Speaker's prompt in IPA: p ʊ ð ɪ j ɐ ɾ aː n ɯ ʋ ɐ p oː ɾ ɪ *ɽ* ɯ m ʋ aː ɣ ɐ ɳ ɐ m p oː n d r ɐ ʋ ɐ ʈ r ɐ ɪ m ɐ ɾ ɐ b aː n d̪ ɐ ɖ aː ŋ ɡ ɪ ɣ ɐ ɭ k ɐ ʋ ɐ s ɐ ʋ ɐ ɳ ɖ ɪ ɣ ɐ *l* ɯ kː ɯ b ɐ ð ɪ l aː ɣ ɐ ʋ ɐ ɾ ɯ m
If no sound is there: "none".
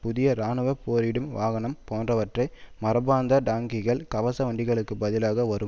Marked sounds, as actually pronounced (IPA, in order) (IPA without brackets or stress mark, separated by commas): ɽ, ɭ